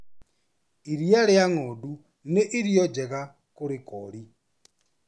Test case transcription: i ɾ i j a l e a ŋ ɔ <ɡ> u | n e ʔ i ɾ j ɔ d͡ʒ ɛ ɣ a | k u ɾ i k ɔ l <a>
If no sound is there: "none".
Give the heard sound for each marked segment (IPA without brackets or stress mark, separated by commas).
d, i